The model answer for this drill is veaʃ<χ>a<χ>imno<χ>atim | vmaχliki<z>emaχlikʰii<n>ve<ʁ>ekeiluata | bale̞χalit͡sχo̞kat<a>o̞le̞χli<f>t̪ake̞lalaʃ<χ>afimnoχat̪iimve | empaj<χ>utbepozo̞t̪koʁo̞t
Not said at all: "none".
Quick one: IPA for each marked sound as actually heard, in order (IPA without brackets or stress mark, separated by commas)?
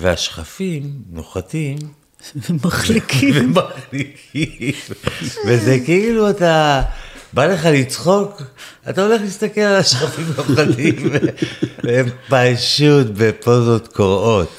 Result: χ, f, χ, v, m, z, a, s, χ, ʃ